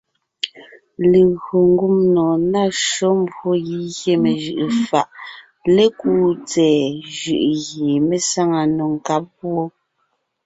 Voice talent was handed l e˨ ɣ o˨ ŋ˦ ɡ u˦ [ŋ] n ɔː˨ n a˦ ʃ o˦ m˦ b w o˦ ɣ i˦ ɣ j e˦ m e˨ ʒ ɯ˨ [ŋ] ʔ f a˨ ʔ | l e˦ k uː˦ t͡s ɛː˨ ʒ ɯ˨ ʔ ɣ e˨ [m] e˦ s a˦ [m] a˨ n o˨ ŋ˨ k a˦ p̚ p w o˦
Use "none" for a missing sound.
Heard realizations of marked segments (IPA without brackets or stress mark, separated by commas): m, none, m, ŋ